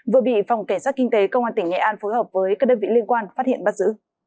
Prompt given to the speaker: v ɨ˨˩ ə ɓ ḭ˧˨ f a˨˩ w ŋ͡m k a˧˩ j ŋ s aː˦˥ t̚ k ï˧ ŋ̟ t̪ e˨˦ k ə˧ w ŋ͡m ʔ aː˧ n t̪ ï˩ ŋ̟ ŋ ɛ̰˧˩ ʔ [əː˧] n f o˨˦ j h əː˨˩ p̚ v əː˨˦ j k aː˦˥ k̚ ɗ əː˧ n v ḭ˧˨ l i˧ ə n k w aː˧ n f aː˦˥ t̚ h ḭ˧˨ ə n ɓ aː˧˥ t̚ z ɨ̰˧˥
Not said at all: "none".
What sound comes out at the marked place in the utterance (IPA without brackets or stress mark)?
aː˧